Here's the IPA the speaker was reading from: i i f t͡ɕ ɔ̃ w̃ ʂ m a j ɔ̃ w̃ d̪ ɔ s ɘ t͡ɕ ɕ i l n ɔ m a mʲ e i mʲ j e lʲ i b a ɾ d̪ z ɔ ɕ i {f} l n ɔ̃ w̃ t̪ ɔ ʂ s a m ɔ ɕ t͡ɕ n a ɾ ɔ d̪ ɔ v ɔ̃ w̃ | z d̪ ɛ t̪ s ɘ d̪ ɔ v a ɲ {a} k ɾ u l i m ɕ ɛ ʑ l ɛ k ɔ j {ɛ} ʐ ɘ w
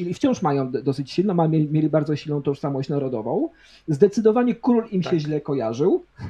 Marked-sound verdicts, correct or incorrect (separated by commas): incorrect, incorrect, incorrect